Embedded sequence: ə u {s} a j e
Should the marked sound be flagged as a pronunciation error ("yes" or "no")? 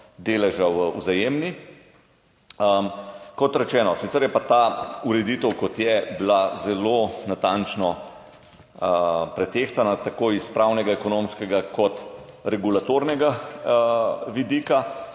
yes